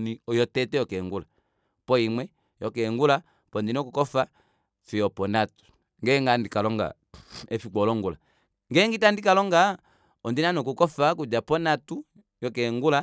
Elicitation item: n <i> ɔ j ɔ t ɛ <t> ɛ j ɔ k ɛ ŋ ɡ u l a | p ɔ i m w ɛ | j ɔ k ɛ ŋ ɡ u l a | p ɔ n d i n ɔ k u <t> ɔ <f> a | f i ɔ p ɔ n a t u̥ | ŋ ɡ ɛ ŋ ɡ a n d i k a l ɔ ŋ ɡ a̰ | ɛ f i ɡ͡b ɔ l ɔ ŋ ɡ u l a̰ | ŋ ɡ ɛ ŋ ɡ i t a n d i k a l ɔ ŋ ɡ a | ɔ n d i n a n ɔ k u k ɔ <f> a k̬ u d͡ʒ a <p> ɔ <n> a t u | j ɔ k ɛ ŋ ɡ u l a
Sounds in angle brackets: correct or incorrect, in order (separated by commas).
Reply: correct, correct, incorrect, correct, correct, correct, correct